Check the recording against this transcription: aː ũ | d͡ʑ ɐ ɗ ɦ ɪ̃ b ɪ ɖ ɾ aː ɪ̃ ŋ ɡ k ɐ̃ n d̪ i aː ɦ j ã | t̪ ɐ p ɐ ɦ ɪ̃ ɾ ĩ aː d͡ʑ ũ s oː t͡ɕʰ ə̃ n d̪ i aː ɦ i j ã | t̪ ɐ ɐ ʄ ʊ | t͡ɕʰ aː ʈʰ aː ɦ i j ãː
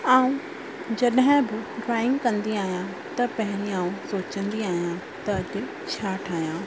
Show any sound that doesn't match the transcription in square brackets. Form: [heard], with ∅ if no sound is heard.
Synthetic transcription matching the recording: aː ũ | d͡ʑ ɐ ɗ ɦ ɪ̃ b ɪ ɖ ɾ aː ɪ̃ ŋ ɡ k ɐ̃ n d̪ i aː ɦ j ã | t̪ ɐ p ɐ ɦ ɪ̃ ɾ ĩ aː [∅] ũ s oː [t͡ɕ] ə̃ n d̪ i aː ɦ i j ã | t̪ ɐ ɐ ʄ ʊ | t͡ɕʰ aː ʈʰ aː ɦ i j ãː